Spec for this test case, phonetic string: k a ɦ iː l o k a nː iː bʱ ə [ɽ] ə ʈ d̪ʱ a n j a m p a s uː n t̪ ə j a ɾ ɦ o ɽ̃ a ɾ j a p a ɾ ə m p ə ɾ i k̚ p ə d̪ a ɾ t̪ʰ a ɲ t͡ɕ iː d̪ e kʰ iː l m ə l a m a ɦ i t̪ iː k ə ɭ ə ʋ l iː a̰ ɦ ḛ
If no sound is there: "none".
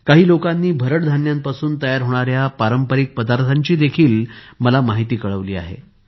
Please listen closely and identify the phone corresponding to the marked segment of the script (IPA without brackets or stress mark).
ɾ